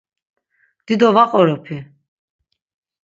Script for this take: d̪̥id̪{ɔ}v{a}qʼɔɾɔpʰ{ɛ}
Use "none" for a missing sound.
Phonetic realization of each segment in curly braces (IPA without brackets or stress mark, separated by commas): ɔ, a, i